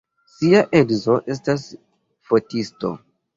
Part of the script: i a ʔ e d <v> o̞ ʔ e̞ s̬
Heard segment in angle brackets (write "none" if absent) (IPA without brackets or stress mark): z